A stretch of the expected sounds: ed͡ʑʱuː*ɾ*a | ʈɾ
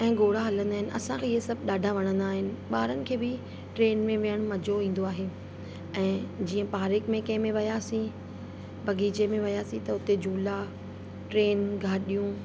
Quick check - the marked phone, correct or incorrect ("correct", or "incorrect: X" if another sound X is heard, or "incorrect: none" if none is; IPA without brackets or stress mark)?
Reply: incorrect: l